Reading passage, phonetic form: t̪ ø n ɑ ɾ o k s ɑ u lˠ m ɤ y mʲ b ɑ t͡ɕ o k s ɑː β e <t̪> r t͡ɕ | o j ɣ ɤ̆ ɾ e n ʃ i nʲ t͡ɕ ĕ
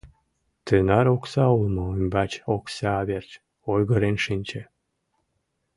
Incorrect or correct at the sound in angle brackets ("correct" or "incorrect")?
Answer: incorrect